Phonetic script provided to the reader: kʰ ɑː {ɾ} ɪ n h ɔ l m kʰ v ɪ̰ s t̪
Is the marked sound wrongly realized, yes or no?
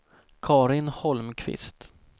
no